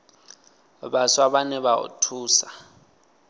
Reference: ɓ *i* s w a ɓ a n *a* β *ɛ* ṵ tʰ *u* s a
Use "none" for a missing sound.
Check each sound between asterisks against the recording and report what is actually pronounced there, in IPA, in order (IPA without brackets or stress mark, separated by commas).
a, ɛ, a, uː